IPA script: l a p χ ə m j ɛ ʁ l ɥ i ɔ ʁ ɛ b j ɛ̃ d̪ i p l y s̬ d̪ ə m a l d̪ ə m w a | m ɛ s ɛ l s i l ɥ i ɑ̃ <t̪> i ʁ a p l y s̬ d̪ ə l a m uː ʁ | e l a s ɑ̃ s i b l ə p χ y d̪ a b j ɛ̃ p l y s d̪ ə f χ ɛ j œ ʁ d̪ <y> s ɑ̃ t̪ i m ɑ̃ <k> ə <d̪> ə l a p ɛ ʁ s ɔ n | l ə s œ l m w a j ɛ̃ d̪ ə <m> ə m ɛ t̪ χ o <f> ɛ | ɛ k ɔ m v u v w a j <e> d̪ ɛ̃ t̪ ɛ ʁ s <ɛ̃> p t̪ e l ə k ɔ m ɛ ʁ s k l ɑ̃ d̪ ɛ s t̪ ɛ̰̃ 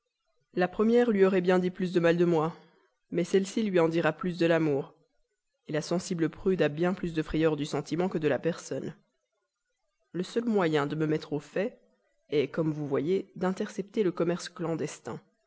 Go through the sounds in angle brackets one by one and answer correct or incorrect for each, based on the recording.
incorrect: d̪, correct, correct, correct, correct, correct, correct, incorrect: ɛ

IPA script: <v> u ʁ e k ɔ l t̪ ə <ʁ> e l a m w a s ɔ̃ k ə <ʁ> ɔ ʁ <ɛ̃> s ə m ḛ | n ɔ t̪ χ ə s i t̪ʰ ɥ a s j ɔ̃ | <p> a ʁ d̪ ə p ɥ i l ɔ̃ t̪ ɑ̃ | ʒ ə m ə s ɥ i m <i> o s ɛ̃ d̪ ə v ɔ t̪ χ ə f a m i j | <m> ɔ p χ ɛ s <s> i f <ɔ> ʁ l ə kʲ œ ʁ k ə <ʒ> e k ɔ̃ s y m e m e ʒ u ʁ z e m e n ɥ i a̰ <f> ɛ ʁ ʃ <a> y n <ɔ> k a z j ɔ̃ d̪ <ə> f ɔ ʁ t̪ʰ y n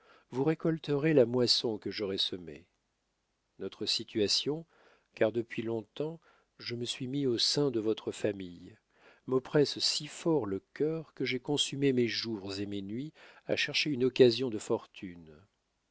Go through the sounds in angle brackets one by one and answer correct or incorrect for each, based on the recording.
correct, correct, incorrect: ʒ, incorrect: ɛ, incorrect: k, correct, correct, correct, correct, correct, incorrect: ʃ, incorrect: e, correct, correct

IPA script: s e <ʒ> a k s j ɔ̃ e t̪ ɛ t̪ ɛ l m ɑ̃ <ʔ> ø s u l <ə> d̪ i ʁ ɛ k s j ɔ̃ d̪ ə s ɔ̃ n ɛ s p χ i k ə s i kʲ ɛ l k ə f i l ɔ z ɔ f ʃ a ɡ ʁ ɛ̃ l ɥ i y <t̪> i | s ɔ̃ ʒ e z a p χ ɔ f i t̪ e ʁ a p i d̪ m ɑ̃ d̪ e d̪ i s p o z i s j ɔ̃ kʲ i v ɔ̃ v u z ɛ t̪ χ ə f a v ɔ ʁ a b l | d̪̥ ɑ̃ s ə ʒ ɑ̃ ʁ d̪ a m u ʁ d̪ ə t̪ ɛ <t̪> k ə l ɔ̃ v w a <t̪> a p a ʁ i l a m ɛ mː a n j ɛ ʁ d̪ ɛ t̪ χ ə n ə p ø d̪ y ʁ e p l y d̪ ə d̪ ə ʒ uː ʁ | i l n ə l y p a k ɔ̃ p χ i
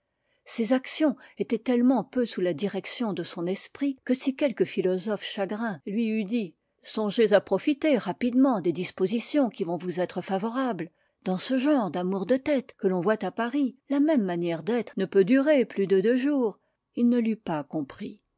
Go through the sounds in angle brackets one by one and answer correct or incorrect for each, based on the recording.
incorrect: z, incorrect: p, incorrect: a, incorrect: d̪, correct, correct

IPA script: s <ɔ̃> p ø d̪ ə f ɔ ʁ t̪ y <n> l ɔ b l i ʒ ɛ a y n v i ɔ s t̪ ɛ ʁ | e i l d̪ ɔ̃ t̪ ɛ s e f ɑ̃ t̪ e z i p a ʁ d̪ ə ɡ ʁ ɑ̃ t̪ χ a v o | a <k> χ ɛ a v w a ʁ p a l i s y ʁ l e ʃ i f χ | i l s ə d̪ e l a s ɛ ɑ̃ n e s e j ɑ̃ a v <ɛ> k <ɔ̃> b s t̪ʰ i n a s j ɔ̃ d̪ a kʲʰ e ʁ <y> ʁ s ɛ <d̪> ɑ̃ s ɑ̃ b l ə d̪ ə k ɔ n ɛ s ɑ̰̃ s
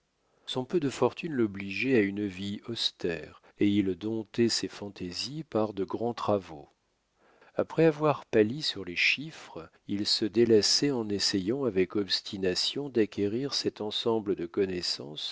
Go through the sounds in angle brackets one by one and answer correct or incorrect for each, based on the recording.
correct, correct, incorrect: p, correct, incorrect: ɔ, incorrect: i, incorrect: t̪

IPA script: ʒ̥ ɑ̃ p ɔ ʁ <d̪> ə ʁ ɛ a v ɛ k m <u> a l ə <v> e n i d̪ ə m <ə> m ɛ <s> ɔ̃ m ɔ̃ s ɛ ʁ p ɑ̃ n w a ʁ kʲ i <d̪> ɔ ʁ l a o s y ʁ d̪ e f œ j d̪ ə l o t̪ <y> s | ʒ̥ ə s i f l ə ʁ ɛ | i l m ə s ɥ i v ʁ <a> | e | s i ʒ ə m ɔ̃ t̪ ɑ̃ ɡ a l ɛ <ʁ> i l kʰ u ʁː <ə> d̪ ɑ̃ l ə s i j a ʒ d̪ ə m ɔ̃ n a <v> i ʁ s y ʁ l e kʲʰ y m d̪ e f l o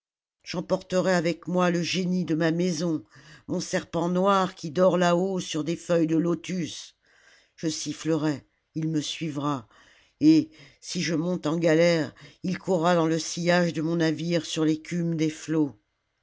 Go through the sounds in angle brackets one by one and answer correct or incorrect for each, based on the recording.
incorrect: t̪, incorrect: w, incorrect: ʒ, incorrect: a, incorrect: z, correct, correct, correct, correct, incorrect: a, correct

